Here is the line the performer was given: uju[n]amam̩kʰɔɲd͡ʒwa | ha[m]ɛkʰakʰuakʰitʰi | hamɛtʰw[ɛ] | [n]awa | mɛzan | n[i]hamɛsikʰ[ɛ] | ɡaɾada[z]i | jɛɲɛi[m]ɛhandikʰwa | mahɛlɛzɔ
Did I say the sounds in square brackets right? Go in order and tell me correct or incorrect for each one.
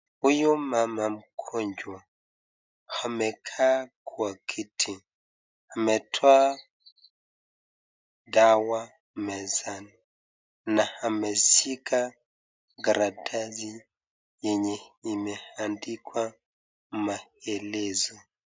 incorrect: m, correct, incorrect: a, incorrect: d, incorrect: a, incorrect: a, correct, correct

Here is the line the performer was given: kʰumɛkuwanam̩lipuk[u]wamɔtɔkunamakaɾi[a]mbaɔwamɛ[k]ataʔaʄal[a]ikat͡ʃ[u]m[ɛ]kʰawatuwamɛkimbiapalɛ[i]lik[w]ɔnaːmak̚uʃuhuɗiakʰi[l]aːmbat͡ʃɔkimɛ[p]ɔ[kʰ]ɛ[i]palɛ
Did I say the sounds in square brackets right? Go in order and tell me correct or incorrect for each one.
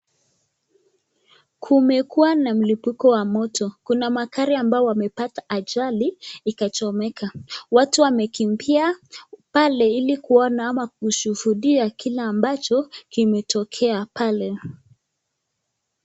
incorrect: ɔ, correct, incorrect: p, incorrect: i, incorrect: ɔ, correct, correct, incorrect: u, correct, incorrect: t, correct, incorrect: a

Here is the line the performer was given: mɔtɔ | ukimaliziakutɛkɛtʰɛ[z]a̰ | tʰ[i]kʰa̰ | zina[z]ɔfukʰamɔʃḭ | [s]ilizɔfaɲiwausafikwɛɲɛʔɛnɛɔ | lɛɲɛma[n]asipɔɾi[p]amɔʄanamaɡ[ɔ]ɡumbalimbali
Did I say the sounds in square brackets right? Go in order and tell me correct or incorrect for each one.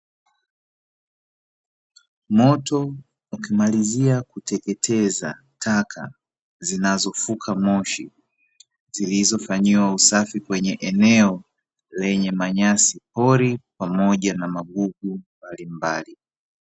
correct, incorrect: a, correct, incorrect: z, incorrect: ɲ, correct, incorrect: u

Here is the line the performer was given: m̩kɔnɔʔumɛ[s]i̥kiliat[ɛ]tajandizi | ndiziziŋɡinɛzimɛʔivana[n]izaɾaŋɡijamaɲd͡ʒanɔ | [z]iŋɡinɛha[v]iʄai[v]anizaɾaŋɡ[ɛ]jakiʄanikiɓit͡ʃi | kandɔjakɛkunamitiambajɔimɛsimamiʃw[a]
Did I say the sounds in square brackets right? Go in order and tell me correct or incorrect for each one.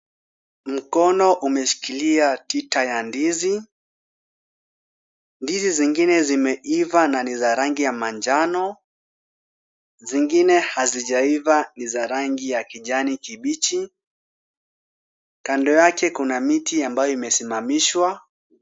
incorrect: ʃ, incorrect: i, correct, correct, incorrect: z, correct, incorrect: i, correct

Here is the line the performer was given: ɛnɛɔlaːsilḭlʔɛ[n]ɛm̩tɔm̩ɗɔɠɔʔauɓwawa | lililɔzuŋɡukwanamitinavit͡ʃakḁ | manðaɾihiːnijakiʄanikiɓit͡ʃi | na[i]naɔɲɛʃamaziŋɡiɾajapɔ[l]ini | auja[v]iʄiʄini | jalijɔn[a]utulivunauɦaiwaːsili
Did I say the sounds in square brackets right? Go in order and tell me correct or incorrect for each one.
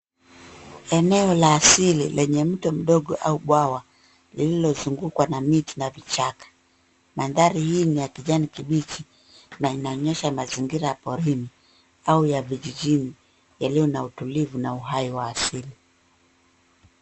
incorrect: ɲ, correct, incorrect: ɾ, correct, correct

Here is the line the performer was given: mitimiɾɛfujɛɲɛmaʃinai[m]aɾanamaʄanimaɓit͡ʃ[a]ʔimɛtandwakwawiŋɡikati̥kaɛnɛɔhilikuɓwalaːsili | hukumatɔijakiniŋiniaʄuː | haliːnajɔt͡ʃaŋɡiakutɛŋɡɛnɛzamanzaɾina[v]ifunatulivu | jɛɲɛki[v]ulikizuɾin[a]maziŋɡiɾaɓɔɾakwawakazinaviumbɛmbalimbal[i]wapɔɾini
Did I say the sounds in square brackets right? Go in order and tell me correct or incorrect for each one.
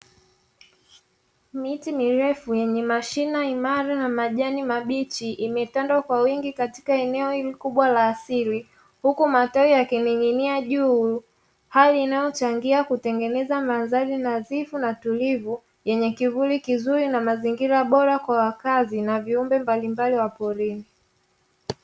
correct, incorrect: i, incorrect: z, correct, correct, correct

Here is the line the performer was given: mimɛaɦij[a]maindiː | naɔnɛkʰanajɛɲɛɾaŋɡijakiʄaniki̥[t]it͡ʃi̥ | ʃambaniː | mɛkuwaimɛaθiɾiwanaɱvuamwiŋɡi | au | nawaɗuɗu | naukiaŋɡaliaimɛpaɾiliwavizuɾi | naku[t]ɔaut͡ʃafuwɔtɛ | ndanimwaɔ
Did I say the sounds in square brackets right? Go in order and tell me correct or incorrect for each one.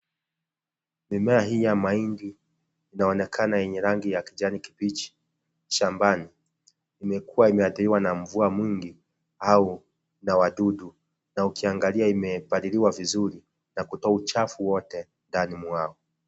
correct, incorrect: p, correct

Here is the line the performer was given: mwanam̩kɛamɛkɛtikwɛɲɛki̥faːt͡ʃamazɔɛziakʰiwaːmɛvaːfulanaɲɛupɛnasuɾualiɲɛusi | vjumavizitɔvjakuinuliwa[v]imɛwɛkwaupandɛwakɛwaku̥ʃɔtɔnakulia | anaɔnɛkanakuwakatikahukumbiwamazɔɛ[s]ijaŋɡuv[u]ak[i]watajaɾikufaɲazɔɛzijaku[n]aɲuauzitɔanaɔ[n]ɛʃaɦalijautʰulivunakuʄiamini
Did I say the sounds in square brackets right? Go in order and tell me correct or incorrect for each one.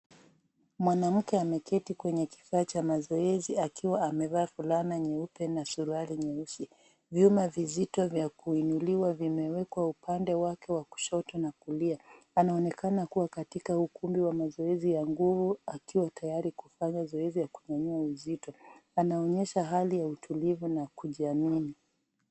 correct, incorrect: z, correct, correct, incorrect: ɲ, incorrect: ɲ

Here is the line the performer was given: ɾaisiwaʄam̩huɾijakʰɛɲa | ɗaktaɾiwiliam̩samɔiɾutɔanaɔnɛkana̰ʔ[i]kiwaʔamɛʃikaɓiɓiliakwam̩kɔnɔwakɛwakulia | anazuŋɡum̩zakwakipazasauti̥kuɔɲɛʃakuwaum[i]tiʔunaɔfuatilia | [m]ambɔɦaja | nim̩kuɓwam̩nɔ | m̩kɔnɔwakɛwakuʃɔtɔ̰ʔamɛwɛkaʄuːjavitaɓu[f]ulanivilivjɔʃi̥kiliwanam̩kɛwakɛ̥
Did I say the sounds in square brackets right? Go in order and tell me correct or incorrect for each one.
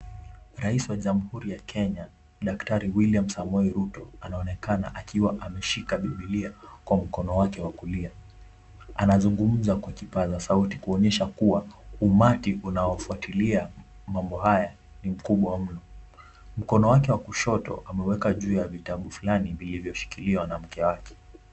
incorrect: a, incorrect: a, correct, correct

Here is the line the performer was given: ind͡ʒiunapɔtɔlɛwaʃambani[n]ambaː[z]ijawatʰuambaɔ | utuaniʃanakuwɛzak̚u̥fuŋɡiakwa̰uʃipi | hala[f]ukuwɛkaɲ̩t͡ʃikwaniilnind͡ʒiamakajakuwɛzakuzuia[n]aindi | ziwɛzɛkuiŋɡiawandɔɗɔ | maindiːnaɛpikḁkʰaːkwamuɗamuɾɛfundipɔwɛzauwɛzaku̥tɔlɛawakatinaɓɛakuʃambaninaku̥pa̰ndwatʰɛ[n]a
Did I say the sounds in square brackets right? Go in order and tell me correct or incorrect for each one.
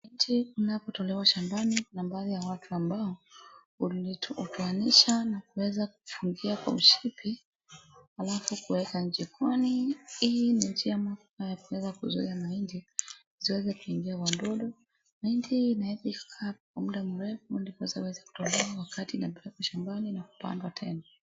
correct, incorrect: ð, correct, incorrect: m, correct

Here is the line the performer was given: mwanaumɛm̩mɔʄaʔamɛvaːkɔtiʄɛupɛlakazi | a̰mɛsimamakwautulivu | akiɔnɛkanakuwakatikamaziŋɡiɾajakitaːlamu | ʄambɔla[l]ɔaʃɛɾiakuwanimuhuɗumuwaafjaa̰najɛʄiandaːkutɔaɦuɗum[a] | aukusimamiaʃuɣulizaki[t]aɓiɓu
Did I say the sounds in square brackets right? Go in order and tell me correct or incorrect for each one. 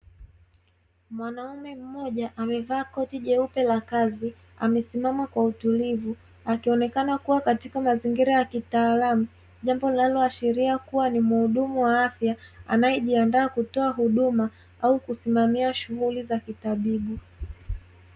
correct, correct, correct

